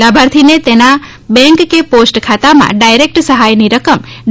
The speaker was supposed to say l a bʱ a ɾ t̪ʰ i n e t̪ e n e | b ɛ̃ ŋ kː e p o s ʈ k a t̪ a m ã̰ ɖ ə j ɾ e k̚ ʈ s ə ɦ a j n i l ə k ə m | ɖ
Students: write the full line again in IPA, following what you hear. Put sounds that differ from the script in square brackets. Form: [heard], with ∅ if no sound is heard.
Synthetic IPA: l a bʱ a ɾ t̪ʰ i n e t̪ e n [a] | b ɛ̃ ŋ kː e p o s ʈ [kʰ] a t̪ a m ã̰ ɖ [a] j ɾ e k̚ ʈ s ə ɦ a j n i [ɾ] ə k ə m | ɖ

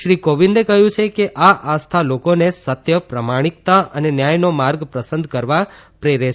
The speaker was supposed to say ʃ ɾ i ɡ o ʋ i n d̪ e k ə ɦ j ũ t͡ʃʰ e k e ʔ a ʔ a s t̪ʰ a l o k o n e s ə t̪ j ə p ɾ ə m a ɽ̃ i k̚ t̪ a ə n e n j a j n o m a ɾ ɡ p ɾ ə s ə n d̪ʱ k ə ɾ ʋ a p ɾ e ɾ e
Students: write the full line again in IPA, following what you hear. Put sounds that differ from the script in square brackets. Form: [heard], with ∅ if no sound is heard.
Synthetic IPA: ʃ ɾ i [k] o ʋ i n d̪ e k ə ɦ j ũ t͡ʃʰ e k e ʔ a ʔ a s t̪ʰ a l o k o n e s ə t̪ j ə p ɾ ə m a ɽ̃ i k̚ t̪ a ə n e n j a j n o m a ɾ ɡ p ɾ ə s ə n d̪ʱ k ə ɾ ʋ a p ɾ e ɾ e

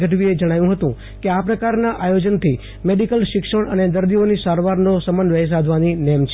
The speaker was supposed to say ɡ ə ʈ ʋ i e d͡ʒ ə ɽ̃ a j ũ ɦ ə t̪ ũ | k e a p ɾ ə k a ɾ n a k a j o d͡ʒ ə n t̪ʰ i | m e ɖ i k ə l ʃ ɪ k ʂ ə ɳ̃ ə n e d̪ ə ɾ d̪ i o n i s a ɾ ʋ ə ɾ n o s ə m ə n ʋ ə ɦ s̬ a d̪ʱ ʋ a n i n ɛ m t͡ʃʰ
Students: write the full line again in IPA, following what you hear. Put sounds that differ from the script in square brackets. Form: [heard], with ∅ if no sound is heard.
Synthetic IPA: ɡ ə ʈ ʋ i e d͡ʒ ə ɽ̃ a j ũ ɦ ə t̪ ũ | k e a p ɾ ə k a ɾ n a [ʔ] a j o d͡ʒ ə n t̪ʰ i | m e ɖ i k ə l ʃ ɪ k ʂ ə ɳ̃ ə n e d̪ ə ɾ d̪ i o n i s a ɾ ʋ [a] ɾ n o s ə m ə n ʋ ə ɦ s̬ a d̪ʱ ʋ a n i n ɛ m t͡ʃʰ

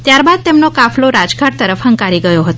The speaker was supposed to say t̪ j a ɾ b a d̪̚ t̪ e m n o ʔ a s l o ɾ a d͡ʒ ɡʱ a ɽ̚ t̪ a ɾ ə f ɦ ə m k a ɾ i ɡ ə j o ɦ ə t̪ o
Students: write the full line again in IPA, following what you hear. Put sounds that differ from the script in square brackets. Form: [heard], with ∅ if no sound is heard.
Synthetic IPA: t̪ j a ɾ b a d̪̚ t̪ e m n o [k] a [f] l o ɾ a d͡ʒ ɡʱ a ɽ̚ t̪ [ə] ɾ ə f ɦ ə [ŋ] k a ɾ i ɡ ə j o ɦ ə t̪ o

